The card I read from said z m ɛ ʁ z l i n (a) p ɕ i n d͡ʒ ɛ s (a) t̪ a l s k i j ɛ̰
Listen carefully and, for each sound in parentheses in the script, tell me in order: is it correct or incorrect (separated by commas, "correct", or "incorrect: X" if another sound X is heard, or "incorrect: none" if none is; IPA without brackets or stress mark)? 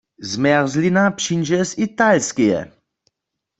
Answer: correct, incorrect: i